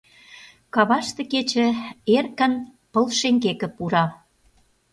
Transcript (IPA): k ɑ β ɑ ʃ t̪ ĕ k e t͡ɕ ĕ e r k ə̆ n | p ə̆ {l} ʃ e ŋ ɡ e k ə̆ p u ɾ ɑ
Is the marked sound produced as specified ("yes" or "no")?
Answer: yes